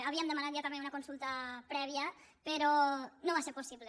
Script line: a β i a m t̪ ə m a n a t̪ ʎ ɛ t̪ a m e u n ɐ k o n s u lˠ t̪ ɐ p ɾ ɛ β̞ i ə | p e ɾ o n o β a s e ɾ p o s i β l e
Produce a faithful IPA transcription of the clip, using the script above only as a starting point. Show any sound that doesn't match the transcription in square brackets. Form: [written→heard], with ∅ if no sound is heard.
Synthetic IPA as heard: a β i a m [t̪→d̪] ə m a n a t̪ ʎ [ɛ→a] t̪ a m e u n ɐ k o n s u lˠ t̪ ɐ p ɾ ɛ β̞ i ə | p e ɾ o n o β a s e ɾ p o s i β l e